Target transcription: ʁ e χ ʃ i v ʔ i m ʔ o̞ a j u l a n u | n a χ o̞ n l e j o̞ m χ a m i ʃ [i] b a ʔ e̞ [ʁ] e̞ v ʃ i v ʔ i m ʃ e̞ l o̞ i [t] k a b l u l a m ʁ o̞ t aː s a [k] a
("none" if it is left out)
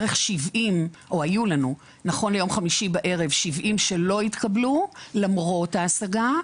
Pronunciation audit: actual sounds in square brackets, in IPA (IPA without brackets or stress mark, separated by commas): i, ʁ, t, ɡ